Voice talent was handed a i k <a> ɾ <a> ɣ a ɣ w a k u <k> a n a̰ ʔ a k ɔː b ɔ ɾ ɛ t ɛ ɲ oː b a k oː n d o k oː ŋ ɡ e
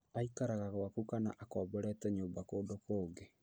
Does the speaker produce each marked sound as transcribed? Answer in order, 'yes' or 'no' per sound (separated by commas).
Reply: yes, yes, yes